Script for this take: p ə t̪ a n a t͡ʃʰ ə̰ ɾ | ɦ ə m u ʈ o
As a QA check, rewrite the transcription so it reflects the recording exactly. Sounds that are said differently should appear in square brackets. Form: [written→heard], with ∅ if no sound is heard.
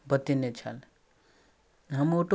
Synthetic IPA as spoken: [p→b] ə t̪ [a→i] n [a→e] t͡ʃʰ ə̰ [ɾ→l] | ɦ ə m [u→o] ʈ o